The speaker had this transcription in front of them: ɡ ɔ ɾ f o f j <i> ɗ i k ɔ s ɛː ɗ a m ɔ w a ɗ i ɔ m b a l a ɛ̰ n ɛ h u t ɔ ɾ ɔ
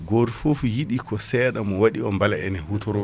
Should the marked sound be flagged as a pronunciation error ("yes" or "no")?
no